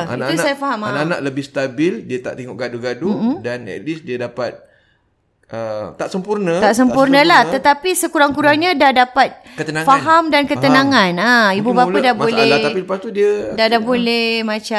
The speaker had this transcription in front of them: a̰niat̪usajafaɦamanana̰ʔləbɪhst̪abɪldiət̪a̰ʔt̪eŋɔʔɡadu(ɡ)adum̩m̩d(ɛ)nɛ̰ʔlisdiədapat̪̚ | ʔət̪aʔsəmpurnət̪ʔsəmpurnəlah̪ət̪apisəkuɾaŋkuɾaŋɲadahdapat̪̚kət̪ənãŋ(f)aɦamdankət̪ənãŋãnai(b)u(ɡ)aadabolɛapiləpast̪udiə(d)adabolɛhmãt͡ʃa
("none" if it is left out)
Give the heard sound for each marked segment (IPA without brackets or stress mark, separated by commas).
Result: ɡ, a, f, b, b, d